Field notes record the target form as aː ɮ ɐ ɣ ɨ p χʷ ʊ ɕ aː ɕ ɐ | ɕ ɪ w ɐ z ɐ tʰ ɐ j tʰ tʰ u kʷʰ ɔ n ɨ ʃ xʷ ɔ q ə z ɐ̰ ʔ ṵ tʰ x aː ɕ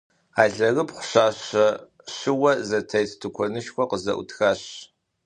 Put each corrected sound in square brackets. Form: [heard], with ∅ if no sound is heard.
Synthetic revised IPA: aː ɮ ɐ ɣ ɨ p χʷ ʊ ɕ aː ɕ ɐ | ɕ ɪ w ɐ z ɐ tʰ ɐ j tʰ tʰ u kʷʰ ɔ n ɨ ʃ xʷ ɔ q ə z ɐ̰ ʔ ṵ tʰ x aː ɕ